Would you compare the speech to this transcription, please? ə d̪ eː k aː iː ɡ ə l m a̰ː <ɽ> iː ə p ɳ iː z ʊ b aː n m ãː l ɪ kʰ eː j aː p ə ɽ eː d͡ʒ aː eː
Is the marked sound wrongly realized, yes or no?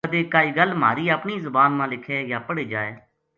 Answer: yes